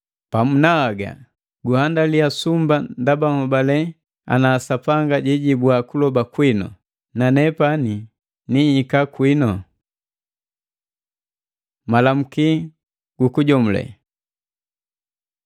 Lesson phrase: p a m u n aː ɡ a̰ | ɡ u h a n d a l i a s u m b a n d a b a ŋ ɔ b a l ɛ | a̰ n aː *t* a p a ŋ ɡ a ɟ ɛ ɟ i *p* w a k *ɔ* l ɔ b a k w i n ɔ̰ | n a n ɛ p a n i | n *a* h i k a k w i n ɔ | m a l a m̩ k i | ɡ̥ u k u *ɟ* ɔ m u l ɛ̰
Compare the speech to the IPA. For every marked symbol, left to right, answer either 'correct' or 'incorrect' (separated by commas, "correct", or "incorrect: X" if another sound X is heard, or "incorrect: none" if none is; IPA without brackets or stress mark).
incorrect: s, incorrect: b, incorrect: u, incorrect: i, correct